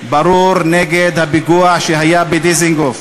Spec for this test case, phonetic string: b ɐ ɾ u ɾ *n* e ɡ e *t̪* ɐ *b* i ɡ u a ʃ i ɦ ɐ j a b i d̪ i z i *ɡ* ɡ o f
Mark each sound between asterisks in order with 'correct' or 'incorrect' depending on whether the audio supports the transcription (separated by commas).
correct, incorrect, correct, incorrect